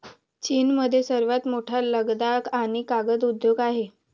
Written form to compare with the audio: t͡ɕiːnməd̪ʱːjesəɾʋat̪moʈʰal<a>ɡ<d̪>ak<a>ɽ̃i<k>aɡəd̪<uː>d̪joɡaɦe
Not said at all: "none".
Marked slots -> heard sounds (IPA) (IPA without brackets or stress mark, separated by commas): ə, d̪, a, k, u